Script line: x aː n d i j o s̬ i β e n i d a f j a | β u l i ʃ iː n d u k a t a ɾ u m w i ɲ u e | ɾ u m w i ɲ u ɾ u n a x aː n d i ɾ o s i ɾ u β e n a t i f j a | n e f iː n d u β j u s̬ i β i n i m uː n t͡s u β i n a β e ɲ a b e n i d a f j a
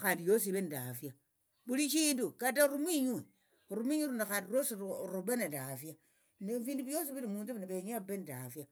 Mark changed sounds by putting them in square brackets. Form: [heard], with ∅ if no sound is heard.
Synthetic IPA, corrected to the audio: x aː n d i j o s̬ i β e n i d a f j a | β u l i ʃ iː n d u k a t a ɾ u m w i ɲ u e | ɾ u m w i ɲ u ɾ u n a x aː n d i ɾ o s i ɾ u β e n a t [a] f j a | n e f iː n d u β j [o] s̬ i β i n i m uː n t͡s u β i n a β e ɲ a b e n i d a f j a